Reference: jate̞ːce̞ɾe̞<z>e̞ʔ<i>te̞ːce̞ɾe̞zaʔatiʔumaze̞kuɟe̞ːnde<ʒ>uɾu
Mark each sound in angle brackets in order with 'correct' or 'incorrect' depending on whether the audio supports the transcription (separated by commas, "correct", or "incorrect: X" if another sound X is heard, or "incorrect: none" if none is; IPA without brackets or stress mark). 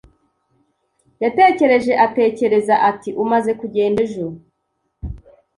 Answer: incorrect: ʒ, incorrect: a, correct